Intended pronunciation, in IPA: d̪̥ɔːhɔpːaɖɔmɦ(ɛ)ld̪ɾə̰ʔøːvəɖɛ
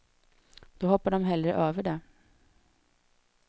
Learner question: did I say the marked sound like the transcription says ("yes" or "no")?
yes